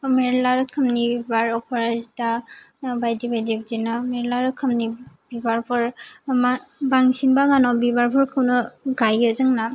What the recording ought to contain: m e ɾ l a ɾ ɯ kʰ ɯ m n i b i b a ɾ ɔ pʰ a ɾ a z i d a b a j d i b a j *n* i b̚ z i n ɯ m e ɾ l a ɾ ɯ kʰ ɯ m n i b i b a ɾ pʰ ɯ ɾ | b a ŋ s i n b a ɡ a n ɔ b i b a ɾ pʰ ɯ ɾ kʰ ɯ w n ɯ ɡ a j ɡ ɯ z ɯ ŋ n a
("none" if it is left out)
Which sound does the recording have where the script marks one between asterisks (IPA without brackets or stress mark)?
d